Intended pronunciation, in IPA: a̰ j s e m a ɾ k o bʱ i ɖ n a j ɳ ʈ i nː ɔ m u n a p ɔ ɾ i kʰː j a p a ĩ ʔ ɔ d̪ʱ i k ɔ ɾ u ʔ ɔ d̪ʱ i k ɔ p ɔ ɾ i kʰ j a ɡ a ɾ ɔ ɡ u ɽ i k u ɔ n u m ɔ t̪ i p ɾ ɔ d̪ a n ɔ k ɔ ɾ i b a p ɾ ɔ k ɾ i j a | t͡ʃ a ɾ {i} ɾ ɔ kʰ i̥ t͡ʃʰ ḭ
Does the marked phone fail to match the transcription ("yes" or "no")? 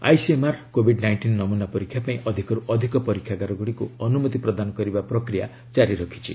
no